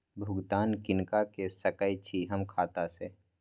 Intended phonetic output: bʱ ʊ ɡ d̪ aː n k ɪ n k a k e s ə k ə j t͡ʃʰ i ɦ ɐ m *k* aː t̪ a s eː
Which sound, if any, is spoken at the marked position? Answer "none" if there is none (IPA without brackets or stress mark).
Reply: kʰ